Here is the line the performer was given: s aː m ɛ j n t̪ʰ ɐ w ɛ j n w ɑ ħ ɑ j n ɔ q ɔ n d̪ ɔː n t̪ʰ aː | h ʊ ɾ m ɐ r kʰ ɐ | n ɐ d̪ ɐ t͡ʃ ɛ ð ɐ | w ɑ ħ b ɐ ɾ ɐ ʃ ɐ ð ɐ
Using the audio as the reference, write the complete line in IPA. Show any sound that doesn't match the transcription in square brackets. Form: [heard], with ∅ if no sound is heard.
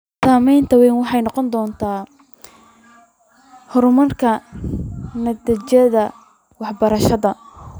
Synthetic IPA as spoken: s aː m ɛ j n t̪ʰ ɐ w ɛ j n w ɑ ħ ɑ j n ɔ q ɔ n d̪ ɔː n t̪ʰ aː | h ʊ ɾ m ɐ r kʰ ɐ | n ɐ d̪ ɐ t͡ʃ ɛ ð ɐ | w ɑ ħ b ɐ ɾ ɐ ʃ ɐ ð ɐ